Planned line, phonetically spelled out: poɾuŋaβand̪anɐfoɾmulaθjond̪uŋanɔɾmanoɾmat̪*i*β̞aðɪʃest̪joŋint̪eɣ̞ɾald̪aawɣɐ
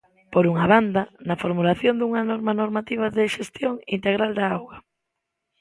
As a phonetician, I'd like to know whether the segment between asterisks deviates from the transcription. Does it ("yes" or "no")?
no